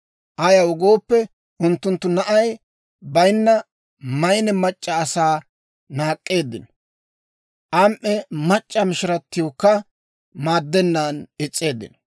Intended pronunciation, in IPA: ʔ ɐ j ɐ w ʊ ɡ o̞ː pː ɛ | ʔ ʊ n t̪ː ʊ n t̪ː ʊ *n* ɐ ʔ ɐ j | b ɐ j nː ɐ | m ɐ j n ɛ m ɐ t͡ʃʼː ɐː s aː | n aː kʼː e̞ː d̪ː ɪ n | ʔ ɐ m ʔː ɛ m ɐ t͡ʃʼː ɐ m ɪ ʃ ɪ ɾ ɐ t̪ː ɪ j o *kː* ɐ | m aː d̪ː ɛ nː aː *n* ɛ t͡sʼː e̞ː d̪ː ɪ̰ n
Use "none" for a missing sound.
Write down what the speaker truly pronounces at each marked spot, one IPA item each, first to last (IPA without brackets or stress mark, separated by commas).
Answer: n, kː, n